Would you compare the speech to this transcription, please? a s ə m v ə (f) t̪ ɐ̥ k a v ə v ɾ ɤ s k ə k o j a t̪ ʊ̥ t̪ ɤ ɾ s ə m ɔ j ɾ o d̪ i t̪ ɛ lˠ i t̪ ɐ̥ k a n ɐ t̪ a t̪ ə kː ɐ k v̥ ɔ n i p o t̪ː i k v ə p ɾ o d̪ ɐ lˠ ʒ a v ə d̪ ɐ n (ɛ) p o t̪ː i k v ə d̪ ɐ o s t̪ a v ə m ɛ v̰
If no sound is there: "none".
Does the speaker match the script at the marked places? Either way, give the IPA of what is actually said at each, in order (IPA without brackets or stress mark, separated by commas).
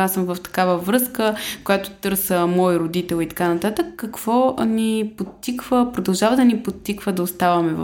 f, i